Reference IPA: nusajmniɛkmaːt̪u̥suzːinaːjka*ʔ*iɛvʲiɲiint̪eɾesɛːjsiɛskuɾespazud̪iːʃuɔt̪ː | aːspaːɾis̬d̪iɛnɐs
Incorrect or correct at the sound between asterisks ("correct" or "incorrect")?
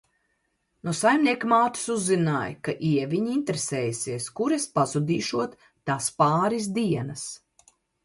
correct